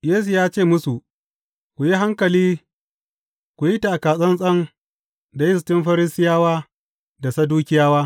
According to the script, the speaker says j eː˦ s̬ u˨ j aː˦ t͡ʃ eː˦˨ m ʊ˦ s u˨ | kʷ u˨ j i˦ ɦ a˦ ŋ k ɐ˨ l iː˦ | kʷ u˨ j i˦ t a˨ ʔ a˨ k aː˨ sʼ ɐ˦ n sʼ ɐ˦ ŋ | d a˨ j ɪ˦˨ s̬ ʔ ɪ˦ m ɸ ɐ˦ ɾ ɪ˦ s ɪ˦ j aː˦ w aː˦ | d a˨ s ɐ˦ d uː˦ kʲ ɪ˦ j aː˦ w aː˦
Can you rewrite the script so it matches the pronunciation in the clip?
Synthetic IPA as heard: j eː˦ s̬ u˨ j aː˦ t͡ʃ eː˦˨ m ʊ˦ s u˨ | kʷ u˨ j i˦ ɦ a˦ ŋ k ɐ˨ l iː˦ | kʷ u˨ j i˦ t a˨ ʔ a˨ k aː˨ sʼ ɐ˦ n sʼ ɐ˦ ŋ | d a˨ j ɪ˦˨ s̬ t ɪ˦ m ɸ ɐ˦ ɾ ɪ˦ s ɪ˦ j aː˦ w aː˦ | d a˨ s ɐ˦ d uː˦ kʲ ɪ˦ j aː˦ w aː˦